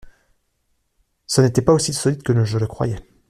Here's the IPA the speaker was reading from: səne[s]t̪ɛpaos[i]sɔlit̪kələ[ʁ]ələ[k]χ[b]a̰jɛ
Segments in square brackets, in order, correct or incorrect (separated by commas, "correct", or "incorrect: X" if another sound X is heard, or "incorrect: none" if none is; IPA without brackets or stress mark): incorrect: none, correct, incorrect: ʒ, correct, incorrect: w